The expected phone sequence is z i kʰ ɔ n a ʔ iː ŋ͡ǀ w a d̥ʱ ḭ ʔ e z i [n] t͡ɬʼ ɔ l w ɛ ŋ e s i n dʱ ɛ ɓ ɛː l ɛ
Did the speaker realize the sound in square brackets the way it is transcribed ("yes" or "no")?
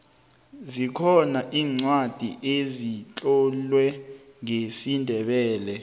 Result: no